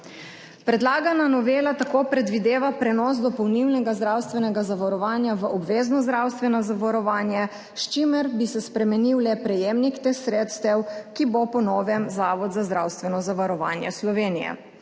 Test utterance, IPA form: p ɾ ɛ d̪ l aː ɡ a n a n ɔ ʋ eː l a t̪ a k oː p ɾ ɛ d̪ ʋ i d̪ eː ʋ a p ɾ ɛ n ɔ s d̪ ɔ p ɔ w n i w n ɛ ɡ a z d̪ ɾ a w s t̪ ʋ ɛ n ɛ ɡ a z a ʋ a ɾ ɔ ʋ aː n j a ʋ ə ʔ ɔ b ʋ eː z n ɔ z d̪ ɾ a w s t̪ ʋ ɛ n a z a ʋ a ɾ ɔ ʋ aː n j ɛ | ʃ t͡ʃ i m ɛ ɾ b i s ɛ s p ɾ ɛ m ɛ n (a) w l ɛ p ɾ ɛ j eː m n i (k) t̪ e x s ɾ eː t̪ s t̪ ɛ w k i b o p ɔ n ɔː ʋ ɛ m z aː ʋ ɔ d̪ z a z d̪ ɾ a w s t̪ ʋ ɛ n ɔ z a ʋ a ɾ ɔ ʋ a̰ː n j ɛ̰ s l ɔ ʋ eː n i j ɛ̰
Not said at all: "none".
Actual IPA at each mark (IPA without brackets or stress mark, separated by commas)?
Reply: i, k